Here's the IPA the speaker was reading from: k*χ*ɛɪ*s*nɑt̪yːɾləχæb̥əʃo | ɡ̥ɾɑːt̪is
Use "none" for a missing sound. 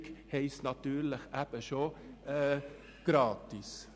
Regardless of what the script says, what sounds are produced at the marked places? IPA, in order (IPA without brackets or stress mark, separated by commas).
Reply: h, s